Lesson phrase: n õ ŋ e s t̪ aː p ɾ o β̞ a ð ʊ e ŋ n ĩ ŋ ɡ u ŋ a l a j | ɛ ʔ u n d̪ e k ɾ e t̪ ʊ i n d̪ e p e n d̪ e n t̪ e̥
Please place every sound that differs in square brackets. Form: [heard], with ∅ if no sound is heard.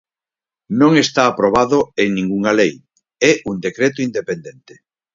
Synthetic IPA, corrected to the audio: n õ ŋ e s t̪ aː p ɾ o β̞ a ð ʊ e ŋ n ĩ ŋ ɡ u ŋ a l [e] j | ɛ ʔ u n d̪ e k ɾ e t̪ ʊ i n d̪ e p e n d̪ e n t̪ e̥